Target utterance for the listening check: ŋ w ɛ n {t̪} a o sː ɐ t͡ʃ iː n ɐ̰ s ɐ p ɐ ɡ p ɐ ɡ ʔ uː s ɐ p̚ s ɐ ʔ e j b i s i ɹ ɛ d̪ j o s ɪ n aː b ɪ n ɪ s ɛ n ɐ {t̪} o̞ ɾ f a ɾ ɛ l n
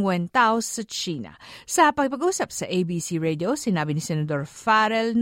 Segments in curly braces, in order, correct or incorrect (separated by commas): correct, incorrect